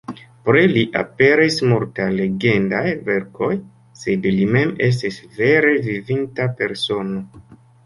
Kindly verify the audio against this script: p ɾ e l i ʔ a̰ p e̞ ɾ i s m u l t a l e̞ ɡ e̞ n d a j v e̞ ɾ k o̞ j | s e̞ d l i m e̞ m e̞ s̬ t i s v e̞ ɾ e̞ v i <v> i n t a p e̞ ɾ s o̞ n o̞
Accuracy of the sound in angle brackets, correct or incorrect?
correct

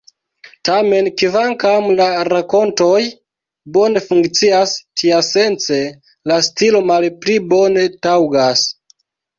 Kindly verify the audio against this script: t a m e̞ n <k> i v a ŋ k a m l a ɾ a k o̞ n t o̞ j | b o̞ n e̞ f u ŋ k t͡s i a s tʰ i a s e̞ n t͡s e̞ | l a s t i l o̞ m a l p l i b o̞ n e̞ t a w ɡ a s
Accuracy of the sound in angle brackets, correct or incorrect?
correct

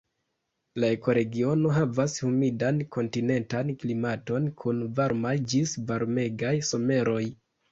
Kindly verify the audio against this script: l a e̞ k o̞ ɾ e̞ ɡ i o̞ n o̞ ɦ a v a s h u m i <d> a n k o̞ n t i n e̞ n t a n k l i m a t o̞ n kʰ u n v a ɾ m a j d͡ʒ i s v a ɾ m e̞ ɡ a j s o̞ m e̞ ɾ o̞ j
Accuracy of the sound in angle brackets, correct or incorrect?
correct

